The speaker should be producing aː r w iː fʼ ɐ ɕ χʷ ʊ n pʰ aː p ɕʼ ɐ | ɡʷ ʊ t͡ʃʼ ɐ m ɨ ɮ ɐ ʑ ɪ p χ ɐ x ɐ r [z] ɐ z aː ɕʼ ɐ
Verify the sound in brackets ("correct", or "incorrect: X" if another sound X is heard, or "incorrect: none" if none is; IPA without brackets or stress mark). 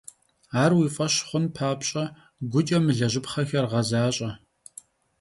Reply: incorrect: ʁ